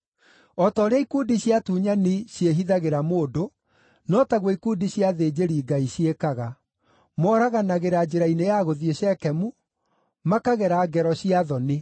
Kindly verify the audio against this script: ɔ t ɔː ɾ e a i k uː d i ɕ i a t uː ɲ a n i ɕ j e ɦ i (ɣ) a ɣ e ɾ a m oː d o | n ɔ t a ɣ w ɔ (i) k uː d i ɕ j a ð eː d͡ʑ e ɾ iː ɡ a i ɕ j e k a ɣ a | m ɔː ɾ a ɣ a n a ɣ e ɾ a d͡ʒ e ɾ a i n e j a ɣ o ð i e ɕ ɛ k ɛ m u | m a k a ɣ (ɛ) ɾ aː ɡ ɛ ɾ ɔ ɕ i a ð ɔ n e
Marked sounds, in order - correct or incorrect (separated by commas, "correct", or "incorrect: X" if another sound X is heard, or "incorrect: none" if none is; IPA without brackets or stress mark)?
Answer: incorrect: ð, correct, correct